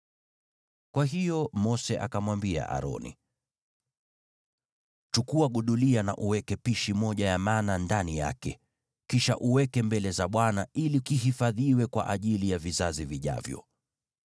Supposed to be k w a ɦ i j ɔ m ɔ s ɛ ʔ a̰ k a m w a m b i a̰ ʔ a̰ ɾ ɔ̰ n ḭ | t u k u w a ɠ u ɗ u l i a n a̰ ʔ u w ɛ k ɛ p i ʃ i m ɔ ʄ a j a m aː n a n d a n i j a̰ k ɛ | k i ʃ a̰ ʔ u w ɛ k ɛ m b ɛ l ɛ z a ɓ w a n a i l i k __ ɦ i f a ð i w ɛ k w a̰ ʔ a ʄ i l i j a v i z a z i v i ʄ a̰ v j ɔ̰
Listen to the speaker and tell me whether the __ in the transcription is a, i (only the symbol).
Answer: i